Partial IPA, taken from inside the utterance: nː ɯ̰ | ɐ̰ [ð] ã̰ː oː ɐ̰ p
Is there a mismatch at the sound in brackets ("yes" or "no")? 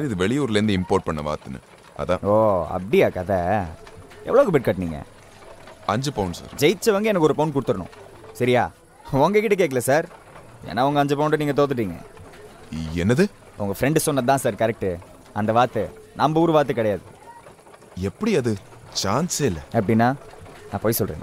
no